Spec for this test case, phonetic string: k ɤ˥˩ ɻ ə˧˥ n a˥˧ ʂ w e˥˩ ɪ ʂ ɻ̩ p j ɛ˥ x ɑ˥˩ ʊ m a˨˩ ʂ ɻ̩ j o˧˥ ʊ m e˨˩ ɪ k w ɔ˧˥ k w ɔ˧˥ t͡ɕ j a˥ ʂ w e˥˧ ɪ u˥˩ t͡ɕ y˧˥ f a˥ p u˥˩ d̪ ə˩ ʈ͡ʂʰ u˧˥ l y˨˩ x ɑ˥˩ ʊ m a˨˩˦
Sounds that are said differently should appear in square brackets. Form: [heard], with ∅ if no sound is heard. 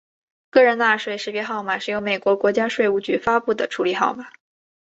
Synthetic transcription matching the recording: k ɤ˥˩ ɻ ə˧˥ n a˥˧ ʂ w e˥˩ ɪ ʂ ɻ̩ p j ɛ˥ x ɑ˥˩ ʊ m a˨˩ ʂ ɻ̩ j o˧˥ ʊ m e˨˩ ɪ k w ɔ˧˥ k w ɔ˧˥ t͡ɕ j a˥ ʂ w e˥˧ ɪ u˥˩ t͡ɕ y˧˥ f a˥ p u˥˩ d̪ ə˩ ʈ͡ʂʰ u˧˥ l [i˨˩] x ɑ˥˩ ʊ m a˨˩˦